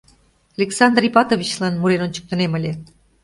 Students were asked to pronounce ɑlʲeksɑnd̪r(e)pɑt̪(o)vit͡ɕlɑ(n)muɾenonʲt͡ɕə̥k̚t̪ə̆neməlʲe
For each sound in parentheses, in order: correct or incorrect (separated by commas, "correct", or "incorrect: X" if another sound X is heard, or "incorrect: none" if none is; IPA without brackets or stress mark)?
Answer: incorrect: i, correct, correct